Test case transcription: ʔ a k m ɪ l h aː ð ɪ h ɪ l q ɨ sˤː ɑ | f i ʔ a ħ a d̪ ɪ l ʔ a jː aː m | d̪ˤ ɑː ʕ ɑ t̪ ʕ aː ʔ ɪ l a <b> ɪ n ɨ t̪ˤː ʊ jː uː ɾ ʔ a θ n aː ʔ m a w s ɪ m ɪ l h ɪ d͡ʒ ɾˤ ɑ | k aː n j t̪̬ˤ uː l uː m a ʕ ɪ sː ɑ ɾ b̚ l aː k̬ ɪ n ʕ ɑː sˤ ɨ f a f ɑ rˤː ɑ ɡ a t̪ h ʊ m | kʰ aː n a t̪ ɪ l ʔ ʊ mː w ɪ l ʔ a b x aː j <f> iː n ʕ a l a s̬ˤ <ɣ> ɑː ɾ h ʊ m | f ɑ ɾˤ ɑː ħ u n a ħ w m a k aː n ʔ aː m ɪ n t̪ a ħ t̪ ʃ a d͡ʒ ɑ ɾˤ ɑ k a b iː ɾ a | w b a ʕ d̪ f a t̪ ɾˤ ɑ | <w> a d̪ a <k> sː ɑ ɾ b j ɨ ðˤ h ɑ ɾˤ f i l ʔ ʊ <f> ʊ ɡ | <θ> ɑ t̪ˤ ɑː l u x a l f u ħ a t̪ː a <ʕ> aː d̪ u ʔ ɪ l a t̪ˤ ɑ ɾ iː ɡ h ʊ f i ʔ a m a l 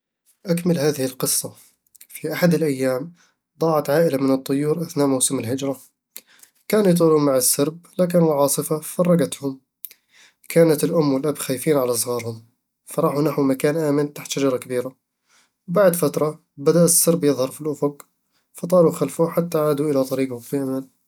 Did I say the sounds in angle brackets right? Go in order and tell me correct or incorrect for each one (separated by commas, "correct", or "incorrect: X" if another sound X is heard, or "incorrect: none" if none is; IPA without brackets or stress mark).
incorrect: m, correct, correct, incorrect: b, incorrect: ʔ, correct, incorrect: f, correct